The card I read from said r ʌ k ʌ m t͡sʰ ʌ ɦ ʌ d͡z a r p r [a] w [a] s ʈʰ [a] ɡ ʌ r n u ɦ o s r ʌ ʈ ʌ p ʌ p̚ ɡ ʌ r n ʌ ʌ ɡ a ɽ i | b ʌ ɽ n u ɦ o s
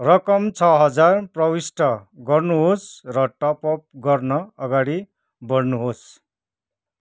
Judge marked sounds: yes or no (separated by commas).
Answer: no, no, no